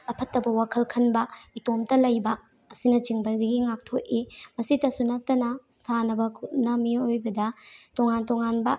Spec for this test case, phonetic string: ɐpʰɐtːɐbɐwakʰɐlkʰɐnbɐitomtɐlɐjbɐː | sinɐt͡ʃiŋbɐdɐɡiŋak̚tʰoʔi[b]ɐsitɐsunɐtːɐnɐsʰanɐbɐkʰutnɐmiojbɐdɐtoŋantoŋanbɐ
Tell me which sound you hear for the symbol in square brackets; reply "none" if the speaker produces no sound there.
m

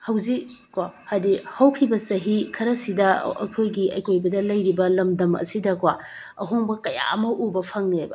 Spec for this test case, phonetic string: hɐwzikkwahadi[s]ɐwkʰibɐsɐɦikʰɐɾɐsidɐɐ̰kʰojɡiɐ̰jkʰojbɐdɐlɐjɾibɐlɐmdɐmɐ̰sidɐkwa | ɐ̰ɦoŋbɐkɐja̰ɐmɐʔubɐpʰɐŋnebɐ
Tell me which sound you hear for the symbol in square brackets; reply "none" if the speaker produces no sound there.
h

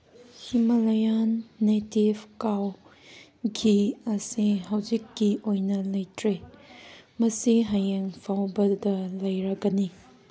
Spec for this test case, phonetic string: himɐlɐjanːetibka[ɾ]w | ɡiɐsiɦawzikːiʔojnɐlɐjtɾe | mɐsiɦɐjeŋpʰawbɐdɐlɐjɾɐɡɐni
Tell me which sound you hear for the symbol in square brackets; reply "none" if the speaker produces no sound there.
none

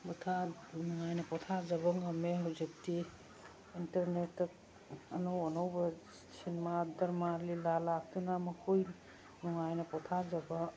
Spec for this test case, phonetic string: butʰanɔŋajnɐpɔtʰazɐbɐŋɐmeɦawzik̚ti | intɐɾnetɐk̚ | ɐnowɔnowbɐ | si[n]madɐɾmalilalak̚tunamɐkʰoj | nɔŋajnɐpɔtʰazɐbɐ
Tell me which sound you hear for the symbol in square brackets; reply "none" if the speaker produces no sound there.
n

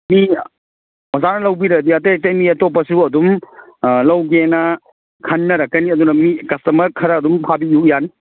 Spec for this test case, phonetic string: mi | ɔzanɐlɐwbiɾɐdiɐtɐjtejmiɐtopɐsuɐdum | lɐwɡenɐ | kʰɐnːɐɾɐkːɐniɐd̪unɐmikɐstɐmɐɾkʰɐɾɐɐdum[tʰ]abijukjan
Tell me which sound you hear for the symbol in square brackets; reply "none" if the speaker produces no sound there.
pʰ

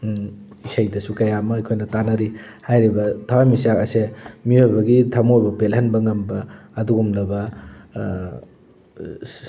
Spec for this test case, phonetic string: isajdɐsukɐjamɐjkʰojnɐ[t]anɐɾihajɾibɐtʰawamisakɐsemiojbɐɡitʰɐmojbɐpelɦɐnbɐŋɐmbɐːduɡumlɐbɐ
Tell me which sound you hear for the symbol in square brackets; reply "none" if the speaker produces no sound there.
t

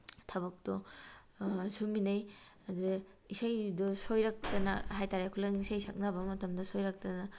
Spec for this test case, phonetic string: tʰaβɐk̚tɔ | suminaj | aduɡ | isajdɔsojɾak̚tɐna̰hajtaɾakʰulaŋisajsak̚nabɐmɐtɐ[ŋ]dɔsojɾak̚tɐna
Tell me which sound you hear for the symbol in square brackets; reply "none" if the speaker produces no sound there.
m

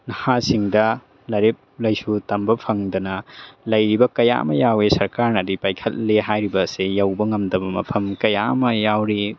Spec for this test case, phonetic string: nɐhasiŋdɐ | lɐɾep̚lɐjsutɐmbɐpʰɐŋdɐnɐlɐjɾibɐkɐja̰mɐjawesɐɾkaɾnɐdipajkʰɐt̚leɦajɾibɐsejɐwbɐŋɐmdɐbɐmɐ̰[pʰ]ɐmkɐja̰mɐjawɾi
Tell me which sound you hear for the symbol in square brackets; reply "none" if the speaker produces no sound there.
pʰ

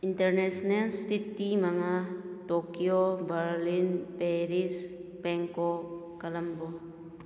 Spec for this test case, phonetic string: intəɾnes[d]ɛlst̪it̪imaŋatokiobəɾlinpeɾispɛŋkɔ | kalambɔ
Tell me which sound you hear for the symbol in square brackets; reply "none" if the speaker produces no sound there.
n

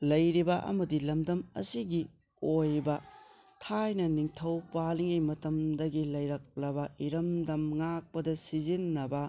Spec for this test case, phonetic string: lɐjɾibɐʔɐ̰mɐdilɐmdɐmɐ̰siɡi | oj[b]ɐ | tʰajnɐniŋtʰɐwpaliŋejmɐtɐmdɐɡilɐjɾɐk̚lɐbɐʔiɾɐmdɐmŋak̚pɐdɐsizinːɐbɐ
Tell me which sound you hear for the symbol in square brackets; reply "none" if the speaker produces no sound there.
b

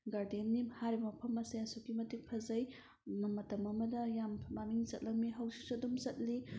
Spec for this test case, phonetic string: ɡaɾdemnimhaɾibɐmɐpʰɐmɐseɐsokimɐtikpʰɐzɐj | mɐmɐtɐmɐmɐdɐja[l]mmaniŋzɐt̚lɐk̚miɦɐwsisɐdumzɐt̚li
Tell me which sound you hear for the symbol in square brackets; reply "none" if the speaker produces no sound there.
none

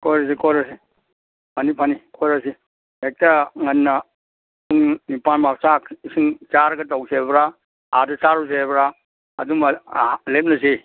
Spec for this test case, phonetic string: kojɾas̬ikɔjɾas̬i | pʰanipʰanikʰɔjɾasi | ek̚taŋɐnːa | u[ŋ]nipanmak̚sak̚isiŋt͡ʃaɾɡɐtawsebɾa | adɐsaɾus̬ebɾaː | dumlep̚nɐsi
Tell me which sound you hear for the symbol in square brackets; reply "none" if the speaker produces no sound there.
ŋ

